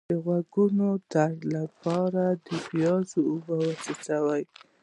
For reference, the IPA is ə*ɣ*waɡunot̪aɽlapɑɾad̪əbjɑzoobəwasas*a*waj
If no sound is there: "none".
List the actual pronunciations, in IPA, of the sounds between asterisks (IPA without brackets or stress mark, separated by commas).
ɣ, a